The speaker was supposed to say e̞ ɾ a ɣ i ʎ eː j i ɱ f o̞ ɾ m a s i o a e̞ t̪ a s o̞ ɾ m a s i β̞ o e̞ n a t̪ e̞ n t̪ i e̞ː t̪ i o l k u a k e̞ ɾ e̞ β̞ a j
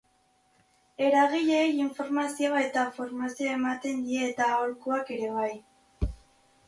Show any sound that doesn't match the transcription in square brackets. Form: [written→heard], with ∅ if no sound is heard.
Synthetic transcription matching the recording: e̞ ɾ a ɣ i ʎ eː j i ɱ f o̞ ɾ m a s i o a e̞ t̪ a [s→f] o̞ ɾ m a s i [β̞→∅] o e̞ [n→m] a t̪ e̞ n [t̪→d̪] i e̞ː t̪ [i→a] o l k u a k e̞ ɾ e̞ β̞ a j